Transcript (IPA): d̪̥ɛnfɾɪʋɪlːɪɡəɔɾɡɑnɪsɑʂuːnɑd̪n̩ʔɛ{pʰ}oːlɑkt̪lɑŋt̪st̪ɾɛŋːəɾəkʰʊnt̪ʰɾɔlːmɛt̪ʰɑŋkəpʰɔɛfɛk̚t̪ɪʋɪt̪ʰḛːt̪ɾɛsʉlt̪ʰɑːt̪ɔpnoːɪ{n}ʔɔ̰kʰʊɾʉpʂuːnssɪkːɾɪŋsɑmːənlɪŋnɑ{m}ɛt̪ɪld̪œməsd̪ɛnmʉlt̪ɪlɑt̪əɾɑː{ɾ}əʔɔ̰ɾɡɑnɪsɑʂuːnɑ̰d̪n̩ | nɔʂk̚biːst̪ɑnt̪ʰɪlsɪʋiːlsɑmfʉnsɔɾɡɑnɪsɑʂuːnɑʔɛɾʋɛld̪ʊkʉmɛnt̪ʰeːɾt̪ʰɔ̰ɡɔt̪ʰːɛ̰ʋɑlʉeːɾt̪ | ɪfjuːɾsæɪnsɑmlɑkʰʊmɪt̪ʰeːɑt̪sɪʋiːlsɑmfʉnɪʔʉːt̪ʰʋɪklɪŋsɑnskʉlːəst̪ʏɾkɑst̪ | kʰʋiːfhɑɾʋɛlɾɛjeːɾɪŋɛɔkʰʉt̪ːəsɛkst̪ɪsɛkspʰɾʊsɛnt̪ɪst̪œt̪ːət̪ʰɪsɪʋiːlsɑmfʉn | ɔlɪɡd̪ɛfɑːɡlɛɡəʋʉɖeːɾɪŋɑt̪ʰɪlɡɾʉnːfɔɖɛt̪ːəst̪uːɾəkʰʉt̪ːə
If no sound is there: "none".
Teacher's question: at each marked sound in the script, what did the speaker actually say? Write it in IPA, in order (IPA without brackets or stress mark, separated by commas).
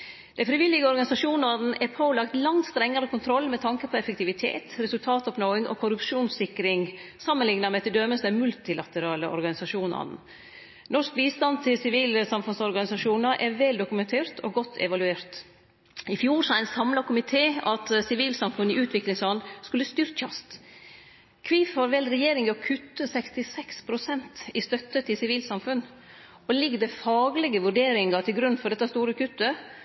pʰ, ŋ, m, l